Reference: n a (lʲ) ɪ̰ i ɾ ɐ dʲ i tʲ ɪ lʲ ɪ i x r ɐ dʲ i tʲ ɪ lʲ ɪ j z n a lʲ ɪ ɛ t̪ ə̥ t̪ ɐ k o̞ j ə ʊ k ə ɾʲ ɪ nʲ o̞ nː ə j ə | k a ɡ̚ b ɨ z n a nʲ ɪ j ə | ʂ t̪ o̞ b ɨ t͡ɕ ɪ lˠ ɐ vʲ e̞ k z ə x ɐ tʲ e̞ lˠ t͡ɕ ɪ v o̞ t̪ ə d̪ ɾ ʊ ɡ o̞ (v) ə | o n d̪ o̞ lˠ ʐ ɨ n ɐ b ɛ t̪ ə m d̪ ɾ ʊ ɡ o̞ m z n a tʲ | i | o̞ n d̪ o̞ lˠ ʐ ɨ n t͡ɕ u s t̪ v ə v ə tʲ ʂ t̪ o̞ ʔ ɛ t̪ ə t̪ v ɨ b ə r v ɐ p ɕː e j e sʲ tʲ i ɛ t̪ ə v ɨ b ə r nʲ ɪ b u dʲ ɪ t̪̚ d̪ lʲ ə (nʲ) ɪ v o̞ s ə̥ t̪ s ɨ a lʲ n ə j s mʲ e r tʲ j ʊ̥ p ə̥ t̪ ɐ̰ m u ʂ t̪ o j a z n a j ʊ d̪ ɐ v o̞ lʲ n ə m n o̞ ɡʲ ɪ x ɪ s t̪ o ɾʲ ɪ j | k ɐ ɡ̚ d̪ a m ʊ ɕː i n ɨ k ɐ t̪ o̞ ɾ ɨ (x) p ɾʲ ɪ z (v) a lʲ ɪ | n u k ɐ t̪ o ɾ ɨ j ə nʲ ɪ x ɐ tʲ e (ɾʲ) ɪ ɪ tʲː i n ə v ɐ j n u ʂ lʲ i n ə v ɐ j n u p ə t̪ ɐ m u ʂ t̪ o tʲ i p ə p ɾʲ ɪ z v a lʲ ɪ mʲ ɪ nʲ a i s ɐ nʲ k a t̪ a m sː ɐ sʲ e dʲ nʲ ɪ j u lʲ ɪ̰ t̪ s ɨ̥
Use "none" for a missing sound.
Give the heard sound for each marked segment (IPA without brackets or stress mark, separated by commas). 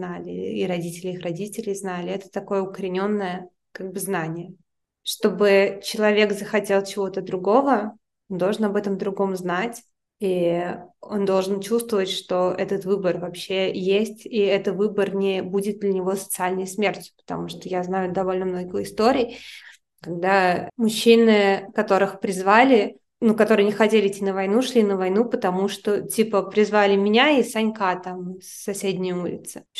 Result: lʲ, v, nʲ, x, v, lʲ